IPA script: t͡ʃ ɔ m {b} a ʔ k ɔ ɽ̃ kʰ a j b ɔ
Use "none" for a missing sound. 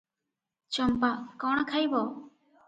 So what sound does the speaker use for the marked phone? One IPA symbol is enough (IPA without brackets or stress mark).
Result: p